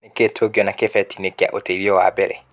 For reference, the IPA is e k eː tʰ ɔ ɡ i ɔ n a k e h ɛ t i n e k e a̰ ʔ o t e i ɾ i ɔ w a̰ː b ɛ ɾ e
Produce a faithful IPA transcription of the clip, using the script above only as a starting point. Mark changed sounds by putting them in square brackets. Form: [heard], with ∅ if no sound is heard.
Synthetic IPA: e k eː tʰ [o] ɡ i ɔ n a k e [f] ɛ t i n e k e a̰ ʔ o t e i ɾ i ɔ w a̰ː b ɛ ɾ [ɛ]